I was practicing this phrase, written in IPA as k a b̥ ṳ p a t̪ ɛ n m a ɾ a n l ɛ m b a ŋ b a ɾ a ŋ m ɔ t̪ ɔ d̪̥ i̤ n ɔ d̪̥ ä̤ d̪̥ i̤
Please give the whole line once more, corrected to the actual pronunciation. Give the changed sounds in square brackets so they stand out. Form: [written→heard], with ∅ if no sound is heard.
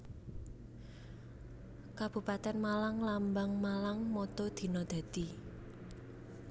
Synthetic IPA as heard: k a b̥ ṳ p a t̪ ɛ n m a [ɾ→l] a [n→ŋ] l [ɛ→a] m b a ŋ [b→m] a [ɾ→l] a ŋ m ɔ t̪ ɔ d̪̥ i̤ n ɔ d̪̥ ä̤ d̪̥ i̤